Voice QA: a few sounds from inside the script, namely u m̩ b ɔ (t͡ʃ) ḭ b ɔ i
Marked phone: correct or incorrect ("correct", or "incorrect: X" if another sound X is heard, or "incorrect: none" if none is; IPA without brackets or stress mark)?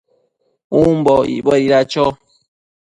incorrect: none